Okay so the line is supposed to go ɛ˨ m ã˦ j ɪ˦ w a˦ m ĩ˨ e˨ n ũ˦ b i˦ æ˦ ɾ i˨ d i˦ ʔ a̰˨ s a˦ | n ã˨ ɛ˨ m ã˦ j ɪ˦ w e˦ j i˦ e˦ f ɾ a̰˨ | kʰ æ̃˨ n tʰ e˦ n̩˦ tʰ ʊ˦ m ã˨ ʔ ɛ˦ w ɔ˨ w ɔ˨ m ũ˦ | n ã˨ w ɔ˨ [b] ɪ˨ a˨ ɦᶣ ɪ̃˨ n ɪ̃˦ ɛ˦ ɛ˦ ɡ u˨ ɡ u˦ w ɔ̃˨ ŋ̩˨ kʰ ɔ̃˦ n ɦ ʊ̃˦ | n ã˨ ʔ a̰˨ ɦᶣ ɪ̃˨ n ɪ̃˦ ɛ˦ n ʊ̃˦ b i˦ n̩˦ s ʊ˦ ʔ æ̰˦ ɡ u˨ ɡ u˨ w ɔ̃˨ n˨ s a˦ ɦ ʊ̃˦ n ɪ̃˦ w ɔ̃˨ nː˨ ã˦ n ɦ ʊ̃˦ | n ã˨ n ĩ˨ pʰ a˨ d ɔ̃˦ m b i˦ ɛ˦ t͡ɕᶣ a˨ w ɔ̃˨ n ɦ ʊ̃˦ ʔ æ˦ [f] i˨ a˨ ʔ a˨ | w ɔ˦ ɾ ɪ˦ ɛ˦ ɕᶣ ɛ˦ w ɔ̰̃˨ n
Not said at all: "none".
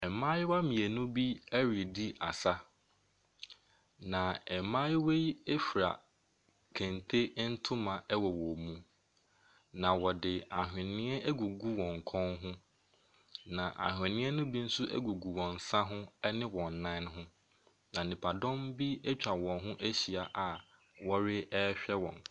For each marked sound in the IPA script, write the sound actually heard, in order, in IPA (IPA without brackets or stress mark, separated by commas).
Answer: d, ɕ